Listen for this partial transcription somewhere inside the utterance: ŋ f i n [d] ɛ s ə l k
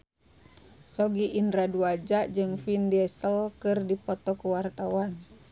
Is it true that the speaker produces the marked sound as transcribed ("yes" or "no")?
yes